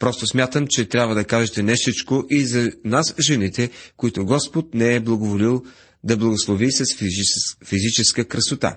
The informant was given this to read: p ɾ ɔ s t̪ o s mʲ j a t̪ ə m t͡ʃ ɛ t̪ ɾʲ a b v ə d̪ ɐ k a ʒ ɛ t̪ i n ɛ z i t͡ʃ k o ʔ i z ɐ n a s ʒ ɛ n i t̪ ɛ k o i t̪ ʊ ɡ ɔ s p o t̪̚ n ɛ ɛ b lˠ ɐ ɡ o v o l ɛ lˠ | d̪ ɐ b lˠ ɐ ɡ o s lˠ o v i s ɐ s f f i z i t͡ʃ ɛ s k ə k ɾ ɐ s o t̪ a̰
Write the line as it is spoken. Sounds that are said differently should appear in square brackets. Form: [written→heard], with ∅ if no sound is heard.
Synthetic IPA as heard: p ɾ ɔ s t̪ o s mʲ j a t̪ ə m t͡ʃ ɛ t̪ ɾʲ a b v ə d̪ ɐ k a ʒ ɛ t̪ [i→ɛ] n ɛ [z→s] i t͡ʃ k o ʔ i z ɐ n a s ʒ ɛ n i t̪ ɛ k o i t̪ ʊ ɡ ɔ s p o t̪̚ n ɛ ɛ b lˠ ɐ ɡ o v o l [ɛ→i] lˠ | d̪ ɐ b lˠ ɐ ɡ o s lˠ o v i s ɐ s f f i z i t͡ʃ ɛ s k ə k ɾ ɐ s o t̪ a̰